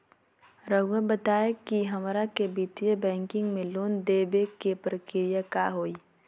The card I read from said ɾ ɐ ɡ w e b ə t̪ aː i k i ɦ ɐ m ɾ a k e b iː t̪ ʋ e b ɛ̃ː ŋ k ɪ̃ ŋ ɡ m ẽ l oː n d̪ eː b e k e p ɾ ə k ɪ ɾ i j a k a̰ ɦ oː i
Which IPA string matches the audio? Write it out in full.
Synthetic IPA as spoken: ɾ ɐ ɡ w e b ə t̪ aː e k i ɦ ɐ m ɾ a k e b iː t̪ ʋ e b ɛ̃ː ŋ k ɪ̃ ŋ ɡ m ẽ l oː n d̪ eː b e k e p ɾ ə k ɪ ɾ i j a k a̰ ɦ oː i